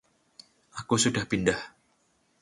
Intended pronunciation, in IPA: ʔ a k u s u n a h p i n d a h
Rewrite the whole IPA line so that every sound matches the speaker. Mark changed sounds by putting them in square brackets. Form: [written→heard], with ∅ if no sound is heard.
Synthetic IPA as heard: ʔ a k u s u [n→d] a h p i n d a h